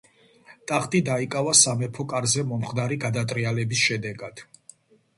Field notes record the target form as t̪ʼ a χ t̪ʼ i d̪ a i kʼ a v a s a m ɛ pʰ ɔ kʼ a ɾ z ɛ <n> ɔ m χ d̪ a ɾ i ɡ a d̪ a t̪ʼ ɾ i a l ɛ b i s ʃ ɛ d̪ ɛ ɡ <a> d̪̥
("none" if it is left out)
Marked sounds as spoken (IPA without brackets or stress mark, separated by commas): m, a